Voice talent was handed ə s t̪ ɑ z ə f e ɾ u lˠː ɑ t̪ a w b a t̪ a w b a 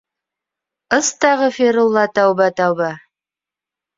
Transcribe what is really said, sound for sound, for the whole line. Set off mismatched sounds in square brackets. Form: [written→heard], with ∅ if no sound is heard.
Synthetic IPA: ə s t̪ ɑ [z→ʁ] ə f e ɾ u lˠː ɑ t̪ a w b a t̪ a w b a